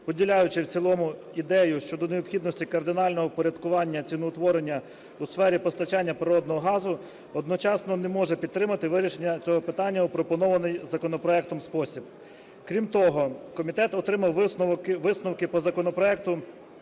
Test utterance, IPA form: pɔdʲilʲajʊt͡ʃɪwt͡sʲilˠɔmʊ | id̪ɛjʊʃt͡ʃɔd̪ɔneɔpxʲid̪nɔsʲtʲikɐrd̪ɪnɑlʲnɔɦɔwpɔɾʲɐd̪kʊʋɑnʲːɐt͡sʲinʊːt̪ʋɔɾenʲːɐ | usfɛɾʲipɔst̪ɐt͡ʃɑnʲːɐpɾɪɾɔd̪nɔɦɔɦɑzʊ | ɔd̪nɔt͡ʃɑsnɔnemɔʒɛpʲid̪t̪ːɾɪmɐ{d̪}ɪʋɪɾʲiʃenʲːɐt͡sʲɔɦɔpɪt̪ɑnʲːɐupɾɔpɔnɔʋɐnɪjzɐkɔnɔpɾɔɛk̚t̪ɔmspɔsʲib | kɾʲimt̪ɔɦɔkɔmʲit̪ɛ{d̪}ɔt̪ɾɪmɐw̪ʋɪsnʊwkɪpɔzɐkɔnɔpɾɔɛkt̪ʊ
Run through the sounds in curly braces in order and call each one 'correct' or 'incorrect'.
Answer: incorrect, incorrect

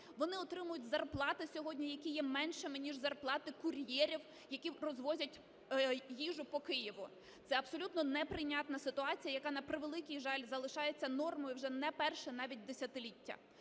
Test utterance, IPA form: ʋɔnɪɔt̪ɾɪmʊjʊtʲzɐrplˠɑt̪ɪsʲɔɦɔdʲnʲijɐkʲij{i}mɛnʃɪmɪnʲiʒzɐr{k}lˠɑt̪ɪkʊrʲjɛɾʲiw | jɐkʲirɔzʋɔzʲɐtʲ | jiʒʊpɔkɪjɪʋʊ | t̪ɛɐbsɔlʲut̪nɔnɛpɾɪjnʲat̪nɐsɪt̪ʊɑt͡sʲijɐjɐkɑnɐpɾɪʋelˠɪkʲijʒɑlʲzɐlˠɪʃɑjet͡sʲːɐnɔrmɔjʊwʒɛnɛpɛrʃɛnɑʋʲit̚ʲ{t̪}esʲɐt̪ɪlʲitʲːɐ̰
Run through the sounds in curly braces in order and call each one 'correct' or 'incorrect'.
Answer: incorrect, incorrect, incorrect

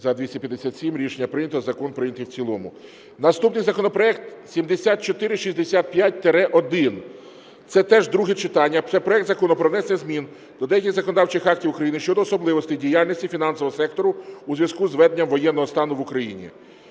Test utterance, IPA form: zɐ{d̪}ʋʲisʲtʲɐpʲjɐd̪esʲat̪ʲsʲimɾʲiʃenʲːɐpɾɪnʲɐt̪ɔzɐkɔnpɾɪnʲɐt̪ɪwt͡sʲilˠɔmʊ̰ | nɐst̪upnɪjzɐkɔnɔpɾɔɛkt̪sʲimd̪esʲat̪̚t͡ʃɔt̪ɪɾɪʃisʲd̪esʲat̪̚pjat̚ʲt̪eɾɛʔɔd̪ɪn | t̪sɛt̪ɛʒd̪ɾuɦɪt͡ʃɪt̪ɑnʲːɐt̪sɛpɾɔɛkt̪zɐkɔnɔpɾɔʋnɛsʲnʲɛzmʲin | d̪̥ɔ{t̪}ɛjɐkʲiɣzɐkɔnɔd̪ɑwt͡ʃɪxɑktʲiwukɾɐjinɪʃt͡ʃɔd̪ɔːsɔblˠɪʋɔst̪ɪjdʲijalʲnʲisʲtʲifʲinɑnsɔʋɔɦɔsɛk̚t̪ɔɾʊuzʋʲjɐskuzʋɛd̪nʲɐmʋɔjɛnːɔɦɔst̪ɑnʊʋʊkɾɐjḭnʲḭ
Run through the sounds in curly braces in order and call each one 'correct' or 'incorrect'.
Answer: correct, incorrect

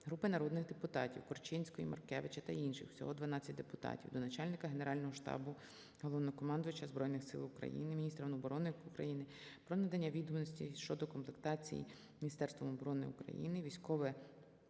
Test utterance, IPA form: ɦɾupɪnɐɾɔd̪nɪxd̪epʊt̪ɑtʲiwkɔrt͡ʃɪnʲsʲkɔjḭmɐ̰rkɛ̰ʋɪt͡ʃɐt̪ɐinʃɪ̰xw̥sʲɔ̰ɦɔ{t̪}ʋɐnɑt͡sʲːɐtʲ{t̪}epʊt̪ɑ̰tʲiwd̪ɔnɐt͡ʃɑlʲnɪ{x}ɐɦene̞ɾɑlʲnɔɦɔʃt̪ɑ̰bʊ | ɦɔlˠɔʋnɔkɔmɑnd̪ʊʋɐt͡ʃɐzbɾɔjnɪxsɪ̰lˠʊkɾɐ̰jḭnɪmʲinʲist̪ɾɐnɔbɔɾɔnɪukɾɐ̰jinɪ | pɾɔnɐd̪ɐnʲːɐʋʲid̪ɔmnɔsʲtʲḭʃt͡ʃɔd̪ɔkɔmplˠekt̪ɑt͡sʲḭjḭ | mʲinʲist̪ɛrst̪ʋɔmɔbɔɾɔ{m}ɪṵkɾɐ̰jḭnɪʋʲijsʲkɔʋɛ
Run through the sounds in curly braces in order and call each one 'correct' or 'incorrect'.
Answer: incorrect, incorrect, incorrect, incorrect

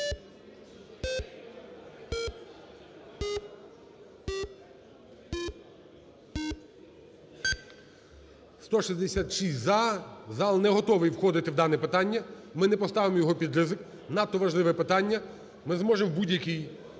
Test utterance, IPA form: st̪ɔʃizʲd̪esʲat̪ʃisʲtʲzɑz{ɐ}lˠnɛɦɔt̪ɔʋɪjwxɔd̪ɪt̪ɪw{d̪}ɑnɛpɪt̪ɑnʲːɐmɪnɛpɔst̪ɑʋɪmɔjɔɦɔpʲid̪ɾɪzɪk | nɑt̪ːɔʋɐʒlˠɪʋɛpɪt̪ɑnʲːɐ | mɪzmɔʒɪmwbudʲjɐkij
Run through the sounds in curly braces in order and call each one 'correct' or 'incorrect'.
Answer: incorrect, correct

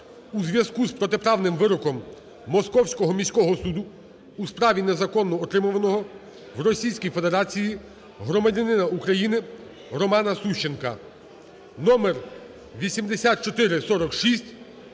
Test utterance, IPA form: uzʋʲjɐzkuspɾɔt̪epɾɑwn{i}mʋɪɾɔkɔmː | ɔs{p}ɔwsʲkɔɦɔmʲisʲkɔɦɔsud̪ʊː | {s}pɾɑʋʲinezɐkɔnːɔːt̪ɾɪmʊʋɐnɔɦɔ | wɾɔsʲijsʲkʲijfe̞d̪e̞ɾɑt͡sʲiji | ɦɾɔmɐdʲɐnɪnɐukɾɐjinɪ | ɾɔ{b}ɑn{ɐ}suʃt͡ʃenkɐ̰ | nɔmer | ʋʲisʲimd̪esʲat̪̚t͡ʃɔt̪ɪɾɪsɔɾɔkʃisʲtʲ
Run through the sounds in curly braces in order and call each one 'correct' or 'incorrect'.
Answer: incorrect, incorrect, correct, incorrect, correct

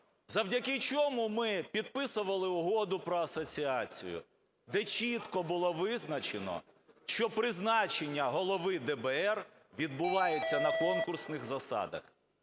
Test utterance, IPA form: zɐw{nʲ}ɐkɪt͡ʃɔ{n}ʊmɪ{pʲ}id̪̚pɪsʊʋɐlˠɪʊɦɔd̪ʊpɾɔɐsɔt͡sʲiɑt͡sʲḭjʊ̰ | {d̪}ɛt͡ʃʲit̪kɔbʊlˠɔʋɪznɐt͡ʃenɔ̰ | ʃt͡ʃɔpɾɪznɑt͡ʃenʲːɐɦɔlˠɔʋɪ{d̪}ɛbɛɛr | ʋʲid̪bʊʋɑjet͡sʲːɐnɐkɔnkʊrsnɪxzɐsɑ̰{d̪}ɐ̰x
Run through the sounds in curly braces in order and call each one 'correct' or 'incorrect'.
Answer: incorrect, incorrect, correct, correct, correct, correct

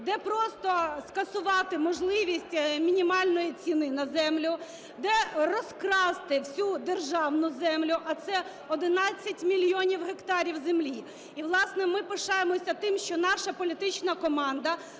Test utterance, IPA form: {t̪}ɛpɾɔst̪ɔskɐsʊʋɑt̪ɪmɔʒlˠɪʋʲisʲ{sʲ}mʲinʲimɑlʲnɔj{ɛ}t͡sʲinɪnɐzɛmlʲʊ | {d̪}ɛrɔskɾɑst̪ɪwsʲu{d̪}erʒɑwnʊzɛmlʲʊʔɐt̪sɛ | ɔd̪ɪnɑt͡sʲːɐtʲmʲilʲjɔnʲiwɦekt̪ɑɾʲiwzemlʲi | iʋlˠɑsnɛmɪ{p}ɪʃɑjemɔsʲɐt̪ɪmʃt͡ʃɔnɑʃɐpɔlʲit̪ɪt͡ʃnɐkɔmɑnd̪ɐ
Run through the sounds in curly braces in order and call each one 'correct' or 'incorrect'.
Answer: incorrect, incorrect, incorrect, correct, correct, correct

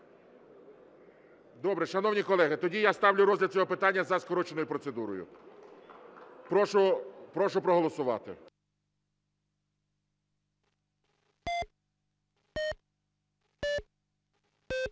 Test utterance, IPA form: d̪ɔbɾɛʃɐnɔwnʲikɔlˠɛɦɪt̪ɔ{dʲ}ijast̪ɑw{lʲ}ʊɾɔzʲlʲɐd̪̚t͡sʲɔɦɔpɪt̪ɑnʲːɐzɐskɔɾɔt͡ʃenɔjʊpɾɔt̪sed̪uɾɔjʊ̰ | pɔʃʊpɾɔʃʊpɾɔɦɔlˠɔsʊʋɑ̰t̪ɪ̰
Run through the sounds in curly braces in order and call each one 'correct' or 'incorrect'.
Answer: correct, correct

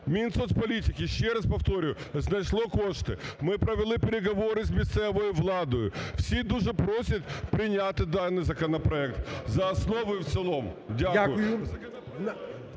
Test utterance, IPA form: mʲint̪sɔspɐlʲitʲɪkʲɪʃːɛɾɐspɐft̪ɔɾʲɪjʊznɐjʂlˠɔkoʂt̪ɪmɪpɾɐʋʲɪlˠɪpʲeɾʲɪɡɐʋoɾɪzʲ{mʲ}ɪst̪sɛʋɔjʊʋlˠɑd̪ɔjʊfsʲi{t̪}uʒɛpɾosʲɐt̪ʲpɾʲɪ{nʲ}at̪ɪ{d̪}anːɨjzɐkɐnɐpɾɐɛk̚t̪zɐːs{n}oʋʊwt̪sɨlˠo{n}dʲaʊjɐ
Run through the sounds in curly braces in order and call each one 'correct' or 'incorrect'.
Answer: correct, incorrect, correct, correct, correct, incorrect

